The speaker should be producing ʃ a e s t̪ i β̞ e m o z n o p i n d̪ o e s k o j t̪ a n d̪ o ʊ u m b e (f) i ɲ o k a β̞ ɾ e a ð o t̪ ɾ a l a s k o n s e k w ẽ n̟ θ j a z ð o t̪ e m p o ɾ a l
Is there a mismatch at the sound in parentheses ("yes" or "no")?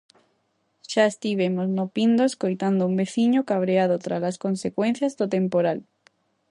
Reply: yes